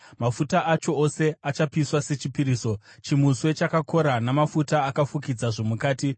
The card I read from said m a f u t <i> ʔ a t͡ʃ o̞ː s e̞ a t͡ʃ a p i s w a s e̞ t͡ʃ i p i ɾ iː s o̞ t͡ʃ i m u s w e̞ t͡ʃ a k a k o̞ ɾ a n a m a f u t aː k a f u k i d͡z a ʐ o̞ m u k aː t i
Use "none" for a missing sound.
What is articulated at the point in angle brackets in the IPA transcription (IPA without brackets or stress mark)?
a